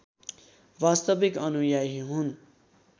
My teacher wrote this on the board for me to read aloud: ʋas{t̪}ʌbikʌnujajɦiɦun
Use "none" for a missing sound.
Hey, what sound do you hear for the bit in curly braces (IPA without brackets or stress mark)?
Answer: t̪